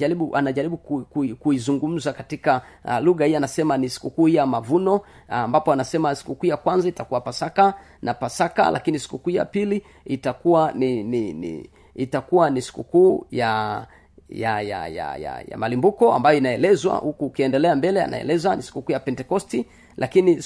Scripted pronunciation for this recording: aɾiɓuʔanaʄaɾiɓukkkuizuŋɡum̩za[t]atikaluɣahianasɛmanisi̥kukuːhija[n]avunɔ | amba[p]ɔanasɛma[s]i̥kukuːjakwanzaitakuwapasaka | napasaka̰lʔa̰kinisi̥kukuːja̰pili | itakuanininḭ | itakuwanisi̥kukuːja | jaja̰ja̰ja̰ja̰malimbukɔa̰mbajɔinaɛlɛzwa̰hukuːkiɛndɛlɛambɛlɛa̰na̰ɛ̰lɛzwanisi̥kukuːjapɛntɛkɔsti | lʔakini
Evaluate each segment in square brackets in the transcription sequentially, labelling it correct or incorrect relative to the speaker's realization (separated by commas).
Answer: incorrect, incorrect, correct, correct